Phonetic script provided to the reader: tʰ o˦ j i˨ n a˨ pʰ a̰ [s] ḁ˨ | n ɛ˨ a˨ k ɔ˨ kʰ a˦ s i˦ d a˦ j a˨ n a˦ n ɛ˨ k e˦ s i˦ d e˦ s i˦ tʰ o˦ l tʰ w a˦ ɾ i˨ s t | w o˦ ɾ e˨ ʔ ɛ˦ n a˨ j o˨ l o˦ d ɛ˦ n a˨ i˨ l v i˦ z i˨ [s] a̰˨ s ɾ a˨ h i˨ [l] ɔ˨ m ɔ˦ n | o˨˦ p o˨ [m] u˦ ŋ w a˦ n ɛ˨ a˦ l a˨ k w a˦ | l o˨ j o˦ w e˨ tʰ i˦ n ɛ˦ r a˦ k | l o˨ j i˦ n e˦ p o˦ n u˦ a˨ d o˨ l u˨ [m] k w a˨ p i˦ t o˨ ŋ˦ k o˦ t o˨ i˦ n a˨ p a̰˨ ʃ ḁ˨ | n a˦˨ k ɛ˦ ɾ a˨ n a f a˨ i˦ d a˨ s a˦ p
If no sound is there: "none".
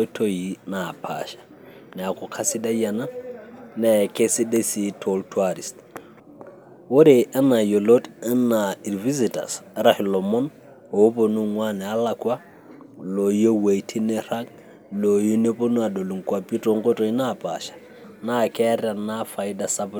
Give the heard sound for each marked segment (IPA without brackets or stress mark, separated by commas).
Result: ʃ, t, l, n, ŋ